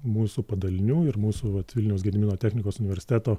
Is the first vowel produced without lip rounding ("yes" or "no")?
no